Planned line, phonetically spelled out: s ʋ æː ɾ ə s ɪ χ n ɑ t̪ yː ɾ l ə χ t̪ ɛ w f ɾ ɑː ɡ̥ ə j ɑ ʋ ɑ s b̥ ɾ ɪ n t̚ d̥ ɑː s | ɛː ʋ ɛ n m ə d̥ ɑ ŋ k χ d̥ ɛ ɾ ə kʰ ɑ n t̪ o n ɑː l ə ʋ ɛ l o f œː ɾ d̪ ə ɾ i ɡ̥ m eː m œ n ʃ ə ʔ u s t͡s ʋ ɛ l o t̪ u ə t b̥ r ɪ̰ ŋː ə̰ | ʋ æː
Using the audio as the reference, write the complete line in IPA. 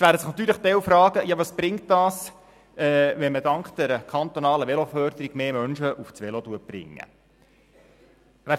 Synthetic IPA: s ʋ æː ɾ ə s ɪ χ n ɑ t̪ yː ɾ l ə χ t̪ ɛ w f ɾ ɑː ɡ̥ ə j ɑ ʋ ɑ s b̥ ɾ ɪ ŋ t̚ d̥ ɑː s | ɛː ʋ ɛ n m ə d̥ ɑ ŋ k χ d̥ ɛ ɾ ə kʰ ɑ n t̪ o n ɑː l ə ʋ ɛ l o f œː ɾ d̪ ə ɾ i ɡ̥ m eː m œ n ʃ ə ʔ u f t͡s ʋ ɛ l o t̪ u ə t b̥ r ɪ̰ ŋː ə̰ | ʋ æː